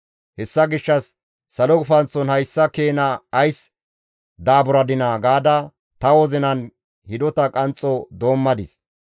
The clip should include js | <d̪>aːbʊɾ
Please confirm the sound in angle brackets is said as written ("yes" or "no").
yes